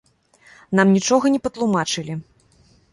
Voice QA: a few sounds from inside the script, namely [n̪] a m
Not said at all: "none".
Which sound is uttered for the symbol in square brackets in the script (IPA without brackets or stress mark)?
n̪